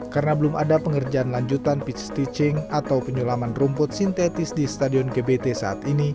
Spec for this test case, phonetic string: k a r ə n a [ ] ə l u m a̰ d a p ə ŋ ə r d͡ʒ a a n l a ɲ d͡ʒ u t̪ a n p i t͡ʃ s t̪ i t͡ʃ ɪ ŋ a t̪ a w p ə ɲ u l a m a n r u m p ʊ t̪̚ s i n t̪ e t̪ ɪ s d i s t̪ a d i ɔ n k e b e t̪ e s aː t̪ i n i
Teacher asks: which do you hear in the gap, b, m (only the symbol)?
b